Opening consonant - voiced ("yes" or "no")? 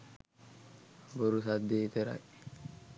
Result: yes